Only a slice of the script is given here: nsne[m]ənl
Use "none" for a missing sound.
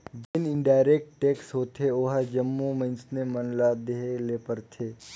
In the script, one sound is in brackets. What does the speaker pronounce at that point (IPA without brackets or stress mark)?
m